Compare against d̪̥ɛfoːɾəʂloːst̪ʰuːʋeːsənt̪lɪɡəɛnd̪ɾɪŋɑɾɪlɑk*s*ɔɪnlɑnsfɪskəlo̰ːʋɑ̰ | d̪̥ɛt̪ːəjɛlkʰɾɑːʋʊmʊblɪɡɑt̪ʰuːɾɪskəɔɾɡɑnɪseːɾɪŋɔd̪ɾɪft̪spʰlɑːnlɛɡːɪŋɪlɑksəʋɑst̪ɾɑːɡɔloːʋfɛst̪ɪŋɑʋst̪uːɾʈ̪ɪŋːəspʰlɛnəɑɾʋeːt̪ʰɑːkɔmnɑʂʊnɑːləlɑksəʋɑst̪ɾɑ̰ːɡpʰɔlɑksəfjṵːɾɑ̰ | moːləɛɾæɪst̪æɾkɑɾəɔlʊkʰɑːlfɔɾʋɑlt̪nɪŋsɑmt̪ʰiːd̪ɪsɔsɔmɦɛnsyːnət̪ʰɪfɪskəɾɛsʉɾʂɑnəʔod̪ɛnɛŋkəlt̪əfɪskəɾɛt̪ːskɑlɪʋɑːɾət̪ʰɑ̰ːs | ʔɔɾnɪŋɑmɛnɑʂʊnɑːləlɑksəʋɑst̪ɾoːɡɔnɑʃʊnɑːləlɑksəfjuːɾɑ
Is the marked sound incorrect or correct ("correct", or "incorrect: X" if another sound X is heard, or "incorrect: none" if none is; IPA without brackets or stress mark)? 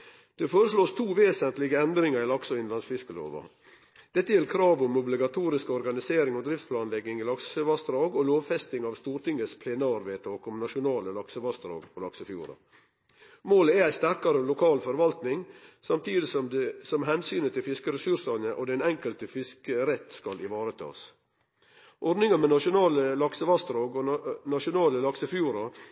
correct